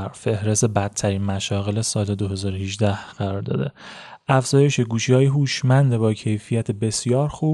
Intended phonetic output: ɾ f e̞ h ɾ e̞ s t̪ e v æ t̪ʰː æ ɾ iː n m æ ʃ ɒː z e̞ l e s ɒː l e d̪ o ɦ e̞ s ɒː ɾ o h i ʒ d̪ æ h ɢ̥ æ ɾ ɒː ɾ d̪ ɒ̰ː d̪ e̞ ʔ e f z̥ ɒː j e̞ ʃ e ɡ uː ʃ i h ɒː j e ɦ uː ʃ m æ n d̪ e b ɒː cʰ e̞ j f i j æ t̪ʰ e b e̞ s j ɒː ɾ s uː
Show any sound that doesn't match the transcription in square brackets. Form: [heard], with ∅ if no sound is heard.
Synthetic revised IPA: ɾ f e̞ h ɾ e̞ s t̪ e [b] æ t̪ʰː æ ɾ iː n m æ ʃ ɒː [ɣ] e̞ l e s ɒː l e d̪ o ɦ e̞ [z] ɒː ɾ o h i ʒ d̪ æ h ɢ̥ æ ɾ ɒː ɾ d̪ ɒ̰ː d̪ e̞ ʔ [æ] f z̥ ɒː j e̞ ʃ e ɡ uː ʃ i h ɒː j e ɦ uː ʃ m æ n d̪ e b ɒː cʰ e̞ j f i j æ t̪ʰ e b e̞ s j ɒː ɾ [x] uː